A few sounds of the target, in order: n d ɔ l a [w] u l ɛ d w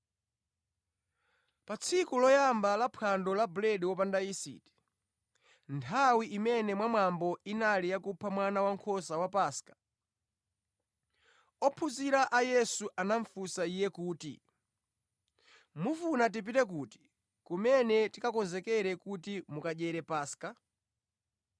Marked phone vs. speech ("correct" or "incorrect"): incorrect